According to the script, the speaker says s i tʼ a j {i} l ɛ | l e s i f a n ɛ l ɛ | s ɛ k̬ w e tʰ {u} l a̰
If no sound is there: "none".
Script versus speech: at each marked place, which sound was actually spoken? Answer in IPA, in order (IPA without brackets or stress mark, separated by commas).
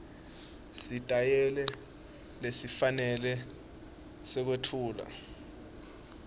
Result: ɛ, uː